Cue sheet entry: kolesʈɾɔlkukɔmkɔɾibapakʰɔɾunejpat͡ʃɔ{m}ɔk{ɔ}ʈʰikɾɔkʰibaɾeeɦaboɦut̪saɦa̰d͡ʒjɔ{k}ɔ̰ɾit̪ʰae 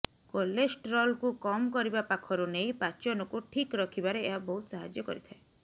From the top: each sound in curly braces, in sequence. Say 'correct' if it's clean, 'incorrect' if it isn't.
incorrect, incorrect, correct

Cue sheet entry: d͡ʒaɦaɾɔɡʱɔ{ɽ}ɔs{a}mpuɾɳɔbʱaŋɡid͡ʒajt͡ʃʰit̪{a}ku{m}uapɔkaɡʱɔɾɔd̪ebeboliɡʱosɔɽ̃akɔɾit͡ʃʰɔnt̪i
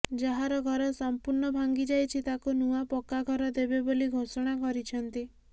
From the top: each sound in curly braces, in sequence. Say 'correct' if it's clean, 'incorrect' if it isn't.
incorrect, correct, correct, incorrect

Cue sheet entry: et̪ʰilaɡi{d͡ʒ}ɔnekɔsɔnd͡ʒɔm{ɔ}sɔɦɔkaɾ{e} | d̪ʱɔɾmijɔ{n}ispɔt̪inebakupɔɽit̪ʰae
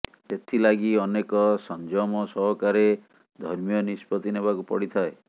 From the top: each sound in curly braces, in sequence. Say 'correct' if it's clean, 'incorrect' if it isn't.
incorrect, correct, correct, correct

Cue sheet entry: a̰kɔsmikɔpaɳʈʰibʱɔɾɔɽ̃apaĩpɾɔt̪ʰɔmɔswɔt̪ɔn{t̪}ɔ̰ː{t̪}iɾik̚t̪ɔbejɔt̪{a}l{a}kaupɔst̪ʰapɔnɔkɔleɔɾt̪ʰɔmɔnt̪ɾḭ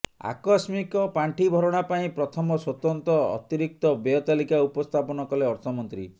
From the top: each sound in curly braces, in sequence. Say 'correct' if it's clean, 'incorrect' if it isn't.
correct, correct, correct, incorrect

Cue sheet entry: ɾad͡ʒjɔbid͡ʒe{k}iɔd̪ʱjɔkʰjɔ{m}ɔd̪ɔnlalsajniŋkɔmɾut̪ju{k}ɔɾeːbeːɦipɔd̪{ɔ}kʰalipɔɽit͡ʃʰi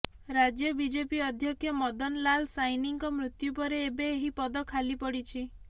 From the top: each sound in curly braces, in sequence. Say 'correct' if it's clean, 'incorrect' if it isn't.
incorrect, correct, incorrect, correct

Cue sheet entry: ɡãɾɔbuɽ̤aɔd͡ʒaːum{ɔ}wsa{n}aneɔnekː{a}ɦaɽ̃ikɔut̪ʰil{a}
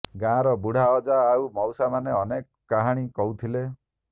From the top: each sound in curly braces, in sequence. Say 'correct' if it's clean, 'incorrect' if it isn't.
correct, incorrect, correct, incorrect

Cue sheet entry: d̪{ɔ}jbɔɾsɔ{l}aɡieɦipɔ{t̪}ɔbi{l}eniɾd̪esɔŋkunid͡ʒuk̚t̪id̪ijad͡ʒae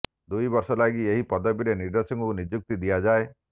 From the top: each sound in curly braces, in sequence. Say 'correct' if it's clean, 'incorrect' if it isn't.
incorrect, correct, incorrect, incorrect

